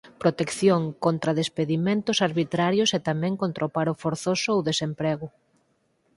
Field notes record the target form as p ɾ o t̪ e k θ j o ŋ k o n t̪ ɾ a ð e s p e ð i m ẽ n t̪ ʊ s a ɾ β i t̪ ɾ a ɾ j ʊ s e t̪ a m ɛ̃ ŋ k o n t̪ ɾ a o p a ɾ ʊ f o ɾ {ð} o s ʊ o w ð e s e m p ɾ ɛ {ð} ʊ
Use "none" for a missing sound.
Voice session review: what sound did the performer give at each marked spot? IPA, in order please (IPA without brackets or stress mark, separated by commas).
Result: θ, ɣ